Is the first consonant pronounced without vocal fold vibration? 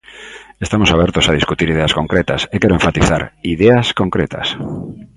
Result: yes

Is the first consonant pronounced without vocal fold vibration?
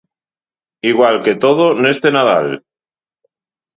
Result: no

